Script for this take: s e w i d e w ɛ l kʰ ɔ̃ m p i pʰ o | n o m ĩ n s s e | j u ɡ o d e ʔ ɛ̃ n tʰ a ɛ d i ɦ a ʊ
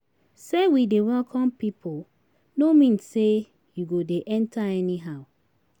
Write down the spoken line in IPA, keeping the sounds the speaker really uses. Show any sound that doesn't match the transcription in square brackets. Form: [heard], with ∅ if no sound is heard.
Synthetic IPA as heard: s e w i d e w ɛ l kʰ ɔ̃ m p i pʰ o | n o m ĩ n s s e | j u ɡ o d e ʔ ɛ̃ n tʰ a ɛ [n] i ɦ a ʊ